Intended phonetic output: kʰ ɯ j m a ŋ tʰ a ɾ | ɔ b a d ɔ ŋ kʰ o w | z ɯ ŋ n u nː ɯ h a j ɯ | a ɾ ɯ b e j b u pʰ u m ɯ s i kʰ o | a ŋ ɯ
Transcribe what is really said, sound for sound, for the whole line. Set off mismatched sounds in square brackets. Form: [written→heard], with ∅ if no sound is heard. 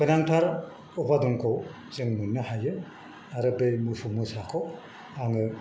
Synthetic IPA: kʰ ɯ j [m→n] a ŋ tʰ a ɾ | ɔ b a d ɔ ŋ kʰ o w | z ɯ ŋ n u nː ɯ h a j ɯ | a ɾ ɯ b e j [b→m] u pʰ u m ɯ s [i→a] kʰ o | a ŋ ɯ